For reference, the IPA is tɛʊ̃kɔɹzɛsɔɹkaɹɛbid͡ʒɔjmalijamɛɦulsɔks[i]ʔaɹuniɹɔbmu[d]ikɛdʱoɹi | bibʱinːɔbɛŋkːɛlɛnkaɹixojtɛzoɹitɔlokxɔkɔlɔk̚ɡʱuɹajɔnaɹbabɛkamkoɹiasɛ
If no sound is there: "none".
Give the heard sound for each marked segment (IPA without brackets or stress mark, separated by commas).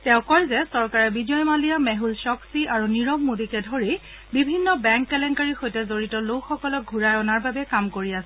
i, d